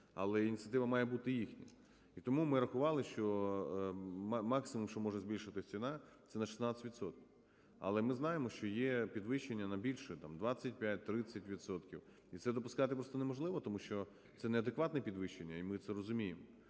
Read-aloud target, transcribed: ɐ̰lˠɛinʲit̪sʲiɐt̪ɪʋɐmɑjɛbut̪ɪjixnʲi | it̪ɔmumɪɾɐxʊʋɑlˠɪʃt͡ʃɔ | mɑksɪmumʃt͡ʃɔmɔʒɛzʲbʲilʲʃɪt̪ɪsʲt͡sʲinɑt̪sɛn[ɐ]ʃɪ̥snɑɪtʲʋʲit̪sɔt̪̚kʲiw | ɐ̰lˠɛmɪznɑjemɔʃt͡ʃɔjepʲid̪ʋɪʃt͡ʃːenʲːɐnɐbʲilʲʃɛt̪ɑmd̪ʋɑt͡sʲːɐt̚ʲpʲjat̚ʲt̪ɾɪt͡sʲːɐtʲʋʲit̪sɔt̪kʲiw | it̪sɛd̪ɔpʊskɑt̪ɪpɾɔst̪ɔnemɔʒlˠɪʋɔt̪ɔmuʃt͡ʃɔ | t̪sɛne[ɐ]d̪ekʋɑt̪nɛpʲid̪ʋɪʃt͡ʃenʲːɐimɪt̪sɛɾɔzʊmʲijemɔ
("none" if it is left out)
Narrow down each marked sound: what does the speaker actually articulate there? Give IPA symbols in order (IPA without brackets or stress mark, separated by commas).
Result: ɐ, ɐ